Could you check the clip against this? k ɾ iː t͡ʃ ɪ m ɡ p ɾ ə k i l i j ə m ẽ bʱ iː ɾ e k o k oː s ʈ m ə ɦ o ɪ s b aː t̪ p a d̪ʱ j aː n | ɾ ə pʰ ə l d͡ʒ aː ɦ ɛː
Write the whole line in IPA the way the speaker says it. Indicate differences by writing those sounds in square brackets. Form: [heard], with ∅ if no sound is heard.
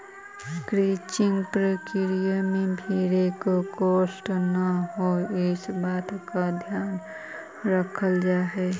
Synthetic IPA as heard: k ɾ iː t͡ʃ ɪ [ŋ] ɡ p ɾ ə k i [ɾ] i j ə m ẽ bʱ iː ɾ e k o k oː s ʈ [n] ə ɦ o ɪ s b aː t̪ [k] a d̪ʱ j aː n | ɾ ə [kʰ] ə l d͡ʒ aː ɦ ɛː